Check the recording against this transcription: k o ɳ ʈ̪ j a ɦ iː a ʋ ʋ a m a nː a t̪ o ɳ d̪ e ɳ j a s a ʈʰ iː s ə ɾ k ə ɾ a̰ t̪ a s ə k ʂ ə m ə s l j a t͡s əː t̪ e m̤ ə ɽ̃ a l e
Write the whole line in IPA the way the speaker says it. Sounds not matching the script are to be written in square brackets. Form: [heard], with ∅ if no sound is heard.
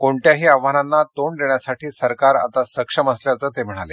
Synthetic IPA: k o ɳ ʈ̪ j a ɦ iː a ʋ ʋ a [n] a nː a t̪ o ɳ d̪ e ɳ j a s a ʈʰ iː s ə ɾ k [a] ɾ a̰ t̪ a s ə k ʂ ə m ə s l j a t͡s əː t̪ e m̤ ə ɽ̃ a l e